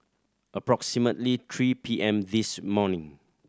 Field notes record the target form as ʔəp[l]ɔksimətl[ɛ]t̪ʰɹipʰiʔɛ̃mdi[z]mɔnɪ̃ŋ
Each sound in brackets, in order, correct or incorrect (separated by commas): incorrect, incorrect, incorrect